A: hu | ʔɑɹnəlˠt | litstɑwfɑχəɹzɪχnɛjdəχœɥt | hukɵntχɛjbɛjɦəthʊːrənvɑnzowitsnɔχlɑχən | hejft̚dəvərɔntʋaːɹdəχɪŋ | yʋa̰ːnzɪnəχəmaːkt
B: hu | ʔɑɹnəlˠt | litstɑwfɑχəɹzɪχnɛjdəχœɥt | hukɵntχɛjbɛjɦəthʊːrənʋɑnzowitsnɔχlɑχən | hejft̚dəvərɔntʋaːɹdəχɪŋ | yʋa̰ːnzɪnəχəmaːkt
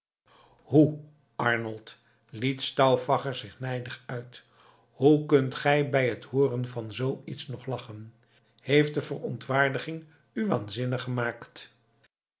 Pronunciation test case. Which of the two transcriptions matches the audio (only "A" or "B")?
A